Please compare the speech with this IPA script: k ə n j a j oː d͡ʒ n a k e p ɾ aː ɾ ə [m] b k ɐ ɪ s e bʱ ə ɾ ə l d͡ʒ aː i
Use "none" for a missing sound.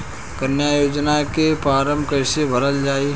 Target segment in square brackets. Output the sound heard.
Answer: m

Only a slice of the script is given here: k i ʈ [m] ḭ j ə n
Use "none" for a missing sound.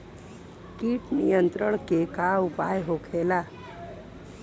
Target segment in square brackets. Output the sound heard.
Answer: n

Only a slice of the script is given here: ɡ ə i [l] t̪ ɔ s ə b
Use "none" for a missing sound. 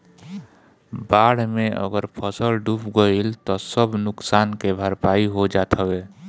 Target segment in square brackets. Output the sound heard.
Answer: l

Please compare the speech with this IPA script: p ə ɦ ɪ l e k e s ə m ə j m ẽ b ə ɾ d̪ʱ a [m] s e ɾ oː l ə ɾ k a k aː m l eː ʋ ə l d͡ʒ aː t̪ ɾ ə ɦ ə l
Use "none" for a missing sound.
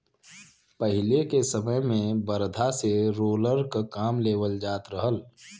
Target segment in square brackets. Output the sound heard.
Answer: none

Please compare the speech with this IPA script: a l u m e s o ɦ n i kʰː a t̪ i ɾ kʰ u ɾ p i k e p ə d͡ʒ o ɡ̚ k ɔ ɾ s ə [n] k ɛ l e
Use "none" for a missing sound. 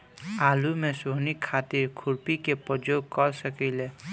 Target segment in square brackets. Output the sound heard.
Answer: none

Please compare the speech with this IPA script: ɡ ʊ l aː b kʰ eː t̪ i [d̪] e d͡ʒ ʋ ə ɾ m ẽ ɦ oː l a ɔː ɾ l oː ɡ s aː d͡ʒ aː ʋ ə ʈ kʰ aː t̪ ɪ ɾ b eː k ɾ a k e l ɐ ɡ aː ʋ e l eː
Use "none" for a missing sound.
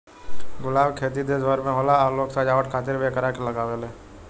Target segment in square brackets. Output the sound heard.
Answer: d̪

